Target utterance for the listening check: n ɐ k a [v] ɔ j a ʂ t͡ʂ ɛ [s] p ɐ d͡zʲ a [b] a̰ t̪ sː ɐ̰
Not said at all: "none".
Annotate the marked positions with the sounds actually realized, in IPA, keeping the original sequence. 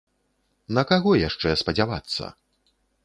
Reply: ɣ, s, v

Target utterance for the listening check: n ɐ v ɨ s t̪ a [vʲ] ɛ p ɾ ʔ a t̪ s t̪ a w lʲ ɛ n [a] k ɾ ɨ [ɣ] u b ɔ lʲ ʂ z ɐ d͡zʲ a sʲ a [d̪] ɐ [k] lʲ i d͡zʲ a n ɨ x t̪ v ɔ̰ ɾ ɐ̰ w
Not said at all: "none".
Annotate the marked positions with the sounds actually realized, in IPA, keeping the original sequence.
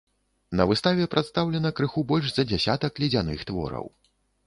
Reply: vʲ, ɐ, x, t̪, k

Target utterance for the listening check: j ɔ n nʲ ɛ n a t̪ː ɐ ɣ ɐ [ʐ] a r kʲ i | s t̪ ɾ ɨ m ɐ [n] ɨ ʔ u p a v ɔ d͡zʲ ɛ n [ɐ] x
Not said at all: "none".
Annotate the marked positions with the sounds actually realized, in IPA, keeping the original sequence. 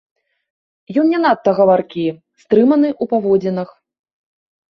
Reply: v, n, ɐ

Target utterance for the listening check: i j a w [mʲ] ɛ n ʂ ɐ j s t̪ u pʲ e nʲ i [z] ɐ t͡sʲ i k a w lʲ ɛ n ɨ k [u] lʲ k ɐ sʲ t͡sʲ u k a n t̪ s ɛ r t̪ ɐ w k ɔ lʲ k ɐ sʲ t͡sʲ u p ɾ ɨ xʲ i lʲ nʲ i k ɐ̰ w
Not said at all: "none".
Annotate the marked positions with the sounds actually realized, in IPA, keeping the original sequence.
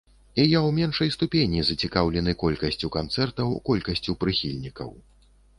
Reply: mʲ, z, ɔ

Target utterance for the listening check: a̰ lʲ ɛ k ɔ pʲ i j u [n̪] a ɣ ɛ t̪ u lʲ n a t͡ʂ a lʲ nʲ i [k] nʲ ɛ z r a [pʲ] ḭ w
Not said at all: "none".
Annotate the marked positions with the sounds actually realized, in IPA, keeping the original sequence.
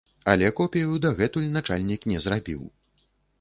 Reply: d̪, k, bʲ

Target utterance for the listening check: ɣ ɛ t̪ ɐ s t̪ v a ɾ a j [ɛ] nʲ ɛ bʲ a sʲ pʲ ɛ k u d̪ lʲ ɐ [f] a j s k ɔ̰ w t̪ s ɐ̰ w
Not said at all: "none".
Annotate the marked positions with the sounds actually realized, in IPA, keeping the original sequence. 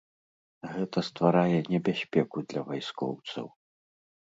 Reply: ɛ, v

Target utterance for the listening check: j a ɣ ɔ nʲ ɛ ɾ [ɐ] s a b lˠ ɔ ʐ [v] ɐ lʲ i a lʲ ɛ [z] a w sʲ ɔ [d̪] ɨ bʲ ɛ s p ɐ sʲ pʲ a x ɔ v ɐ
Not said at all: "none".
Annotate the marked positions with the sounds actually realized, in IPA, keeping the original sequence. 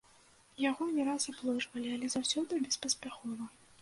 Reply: a, v, z, d̪

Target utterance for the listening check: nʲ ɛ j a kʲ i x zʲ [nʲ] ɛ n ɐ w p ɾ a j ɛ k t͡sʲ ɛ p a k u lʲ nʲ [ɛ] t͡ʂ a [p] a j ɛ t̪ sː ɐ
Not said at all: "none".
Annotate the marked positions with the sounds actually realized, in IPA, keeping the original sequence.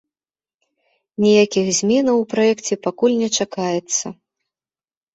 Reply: mʲ, ɛ, k

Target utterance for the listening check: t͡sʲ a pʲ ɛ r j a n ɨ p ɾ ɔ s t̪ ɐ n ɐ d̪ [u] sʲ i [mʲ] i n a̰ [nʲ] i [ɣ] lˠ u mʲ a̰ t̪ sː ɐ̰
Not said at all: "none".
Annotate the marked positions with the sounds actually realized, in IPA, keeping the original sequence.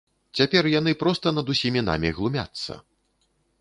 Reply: u, mʲ, mʲ, ɣ

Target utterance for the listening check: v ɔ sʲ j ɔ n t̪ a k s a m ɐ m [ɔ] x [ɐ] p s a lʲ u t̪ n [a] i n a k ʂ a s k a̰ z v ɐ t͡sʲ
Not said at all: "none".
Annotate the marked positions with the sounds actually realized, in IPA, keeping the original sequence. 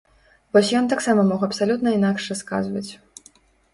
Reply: ɔ, ɐ, ɐ

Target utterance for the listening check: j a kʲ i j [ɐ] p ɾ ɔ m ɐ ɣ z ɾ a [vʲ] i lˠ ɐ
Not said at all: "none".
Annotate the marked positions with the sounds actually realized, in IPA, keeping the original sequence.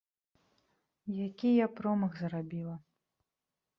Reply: a, bʲ

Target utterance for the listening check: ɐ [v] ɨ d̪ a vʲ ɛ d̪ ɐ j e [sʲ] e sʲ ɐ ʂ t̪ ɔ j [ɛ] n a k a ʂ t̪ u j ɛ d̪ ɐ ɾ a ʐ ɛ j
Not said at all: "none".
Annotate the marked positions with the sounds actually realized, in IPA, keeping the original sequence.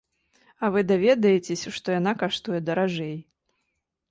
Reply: v, t͡sʲ, a

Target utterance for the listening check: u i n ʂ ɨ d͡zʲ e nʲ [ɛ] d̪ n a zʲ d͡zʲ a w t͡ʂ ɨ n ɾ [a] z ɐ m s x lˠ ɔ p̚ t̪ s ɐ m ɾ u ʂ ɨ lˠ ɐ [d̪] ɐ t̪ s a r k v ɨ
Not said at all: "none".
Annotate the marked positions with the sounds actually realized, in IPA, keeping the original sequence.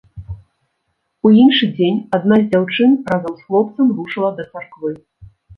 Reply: a, a, d̪

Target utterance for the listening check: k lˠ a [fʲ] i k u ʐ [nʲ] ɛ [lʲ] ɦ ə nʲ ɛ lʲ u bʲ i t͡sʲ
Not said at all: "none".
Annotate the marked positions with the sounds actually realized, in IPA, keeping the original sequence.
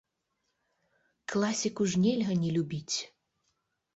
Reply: sʲ, nʲ, lʲ

